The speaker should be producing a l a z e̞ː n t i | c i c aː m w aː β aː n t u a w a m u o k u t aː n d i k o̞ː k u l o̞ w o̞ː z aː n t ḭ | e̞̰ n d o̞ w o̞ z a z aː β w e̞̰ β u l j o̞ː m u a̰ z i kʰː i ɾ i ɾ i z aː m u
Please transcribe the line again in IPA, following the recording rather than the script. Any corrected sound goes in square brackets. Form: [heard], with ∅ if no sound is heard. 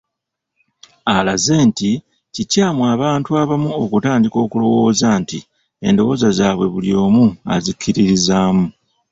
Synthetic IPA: a l a z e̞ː n t i | c i c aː m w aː β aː n t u a [β] a m u o k u t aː n d i k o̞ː k u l o̞ w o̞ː z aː n t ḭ | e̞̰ n d o̞ w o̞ z a z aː β w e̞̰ β u l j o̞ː m u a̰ z i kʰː i ɾ i ɾ i z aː m u